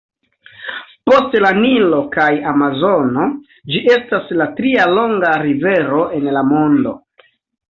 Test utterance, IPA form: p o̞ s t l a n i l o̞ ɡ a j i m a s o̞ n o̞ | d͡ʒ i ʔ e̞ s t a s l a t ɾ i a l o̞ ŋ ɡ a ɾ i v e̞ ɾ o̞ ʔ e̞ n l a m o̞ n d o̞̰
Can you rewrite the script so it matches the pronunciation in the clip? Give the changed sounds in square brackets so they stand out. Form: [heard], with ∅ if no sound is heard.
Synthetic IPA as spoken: p o̞ s t l a n i l o̞ [k] a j [a] m a [z] o̞ n o̞ | d͡ʒ i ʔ e̞ s t a s l a t ɾ i a l o̞ ŋ ɡ a ɾ i v e̞ ɾ o̞ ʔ e̞ n l a m o̞ n d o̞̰